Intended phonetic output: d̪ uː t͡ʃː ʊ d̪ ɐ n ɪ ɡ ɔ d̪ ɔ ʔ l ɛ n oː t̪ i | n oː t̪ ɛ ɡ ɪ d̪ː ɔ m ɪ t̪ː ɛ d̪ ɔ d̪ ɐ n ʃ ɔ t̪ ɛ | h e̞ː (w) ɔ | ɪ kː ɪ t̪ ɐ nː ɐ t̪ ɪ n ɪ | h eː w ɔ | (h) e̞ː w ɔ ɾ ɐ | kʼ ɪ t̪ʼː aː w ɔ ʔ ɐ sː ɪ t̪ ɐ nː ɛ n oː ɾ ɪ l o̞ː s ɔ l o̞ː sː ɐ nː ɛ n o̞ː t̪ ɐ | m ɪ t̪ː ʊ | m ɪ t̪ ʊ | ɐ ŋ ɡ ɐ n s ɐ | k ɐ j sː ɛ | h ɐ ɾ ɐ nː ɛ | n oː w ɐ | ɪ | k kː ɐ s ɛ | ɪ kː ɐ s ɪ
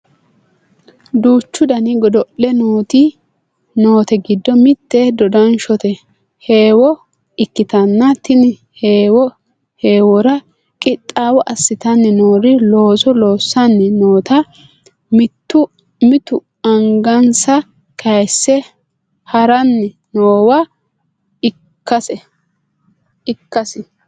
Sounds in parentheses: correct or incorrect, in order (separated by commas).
correct, correct